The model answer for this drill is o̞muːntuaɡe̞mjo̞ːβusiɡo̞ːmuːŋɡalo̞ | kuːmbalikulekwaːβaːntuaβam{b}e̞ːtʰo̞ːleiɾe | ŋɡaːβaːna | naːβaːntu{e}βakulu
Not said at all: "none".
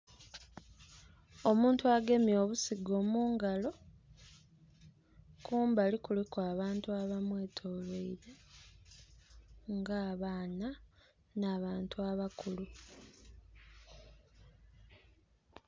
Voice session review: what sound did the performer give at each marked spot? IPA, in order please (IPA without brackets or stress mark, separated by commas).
w, a